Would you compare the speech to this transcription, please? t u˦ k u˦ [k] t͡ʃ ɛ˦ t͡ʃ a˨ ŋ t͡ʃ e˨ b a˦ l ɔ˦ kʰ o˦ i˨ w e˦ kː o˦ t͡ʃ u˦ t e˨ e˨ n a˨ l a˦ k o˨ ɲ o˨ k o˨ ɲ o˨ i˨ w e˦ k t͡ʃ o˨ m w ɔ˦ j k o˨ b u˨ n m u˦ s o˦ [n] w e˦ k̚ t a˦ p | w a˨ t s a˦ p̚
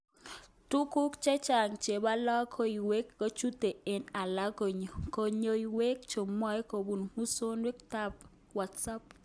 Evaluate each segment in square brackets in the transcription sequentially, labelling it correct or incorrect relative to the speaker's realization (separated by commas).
correct, correct